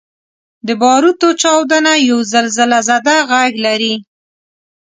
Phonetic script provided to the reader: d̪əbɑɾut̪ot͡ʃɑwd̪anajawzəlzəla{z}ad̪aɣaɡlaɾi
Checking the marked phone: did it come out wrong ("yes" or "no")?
no